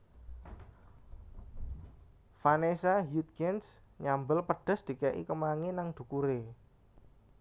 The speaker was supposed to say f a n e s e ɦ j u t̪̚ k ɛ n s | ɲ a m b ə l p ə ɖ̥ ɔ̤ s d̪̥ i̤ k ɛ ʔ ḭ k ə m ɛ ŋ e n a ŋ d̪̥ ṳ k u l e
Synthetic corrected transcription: f a n e s a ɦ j u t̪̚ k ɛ n s | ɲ a m b ə l p ə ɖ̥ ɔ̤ s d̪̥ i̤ k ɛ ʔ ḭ k ə m a ŋ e n a ŋ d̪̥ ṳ k u ɾ e